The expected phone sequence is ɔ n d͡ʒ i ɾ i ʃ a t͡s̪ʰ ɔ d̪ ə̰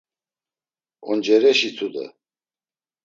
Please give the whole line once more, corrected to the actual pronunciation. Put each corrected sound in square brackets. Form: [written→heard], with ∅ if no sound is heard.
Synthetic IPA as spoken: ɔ n d͡ʒ [i→ɛ] ɾ [i→ɛ] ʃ [a→i] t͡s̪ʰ [ɔ→u] d̪ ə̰